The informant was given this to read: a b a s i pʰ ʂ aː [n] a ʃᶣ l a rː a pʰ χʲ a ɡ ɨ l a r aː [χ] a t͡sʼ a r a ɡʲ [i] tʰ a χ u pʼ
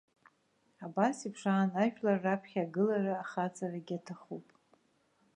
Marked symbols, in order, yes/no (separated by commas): yes, yes, no